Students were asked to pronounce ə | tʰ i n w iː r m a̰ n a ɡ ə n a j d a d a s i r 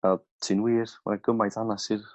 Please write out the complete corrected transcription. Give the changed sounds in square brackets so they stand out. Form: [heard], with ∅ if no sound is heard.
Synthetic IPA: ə | tʰ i n w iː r m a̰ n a ɡ ə [m] a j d a [n] a s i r